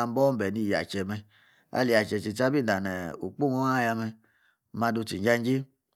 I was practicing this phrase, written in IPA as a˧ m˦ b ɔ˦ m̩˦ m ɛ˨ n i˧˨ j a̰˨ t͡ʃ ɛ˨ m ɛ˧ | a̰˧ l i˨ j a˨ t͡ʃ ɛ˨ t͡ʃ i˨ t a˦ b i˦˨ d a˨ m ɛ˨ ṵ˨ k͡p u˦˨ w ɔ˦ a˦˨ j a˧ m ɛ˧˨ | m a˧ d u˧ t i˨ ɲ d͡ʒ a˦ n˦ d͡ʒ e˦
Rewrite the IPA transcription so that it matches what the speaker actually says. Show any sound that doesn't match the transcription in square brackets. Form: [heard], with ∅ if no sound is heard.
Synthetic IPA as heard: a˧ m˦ b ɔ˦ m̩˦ [b] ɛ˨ n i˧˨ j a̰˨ t͡ʃ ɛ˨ m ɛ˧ | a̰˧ l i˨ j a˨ t͡ʃ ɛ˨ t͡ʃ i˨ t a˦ b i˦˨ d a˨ [n] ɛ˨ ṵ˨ k͡p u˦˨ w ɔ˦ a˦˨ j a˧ m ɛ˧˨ | m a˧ d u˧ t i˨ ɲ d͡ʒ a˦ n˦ d͡ʒ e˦